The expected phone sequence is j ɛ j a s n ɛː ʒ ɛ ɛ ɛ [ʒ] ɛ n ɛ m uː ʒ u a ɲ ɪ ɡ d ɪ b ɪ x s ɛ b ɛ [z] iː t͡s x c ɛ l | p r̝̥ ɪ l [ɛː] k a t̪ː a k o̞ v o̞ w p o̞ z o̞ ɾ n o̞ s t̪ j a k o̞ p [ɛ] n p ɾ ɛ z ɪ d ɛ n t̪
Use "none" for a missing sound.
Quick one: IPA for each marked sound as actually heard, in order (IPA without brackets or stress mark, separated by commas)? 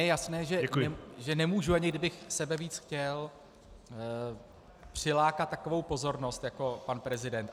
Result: ʒ, v, aː, a